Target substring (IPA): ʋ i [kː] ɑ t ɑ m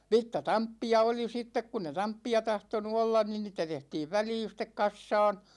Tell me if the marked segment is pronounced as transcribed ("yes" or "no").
no